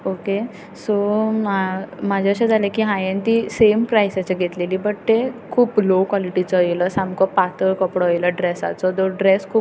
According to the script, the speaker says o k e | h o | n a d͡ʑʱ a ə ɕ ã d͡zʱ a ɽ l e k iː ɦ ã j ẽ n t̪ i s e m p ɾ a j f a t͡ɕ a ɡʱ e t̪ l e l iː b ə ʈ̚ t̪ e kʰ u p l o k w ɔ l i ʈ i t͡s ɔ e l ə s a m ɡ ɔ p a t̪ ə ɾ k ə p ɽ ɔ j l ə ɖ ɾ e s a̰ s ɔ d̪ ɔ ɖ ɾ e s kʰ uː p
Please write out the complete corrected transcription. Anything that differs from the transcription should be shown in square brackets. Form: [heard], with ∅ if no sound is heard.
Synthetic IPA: o k e | [s] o | [m] a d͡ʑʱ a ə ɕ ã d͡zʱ a [∅] l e k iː ɦ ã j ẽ n t̪ i s e m p ɾ a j [s] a t͡ɕ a ɡʱ e t̪ l e l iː b ə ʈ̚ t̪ e kʰ [uː] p l o k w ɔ l i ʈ i t͡s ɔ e l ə s a m [k] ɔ p a t̪ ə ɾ k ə p ɽ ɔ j l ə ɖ ɾ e s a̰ [t͡s] ɔ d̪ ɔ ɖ ɾ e s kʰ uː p